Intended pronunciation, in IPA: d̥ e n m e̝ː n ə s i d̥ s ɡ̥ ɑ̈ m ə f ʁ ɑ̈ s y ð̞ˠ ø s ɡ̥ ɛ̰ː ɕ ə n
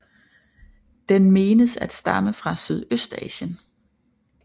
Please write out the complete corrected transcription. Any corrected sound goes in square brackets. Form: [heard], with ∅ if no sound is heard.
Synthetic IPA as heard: d̥ e n m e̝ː n ə s [æ] d̥ s [d̥] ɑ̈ m ə f ʁ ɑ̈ s y ð̞ˠ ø s [d̥] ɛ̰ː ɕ ə n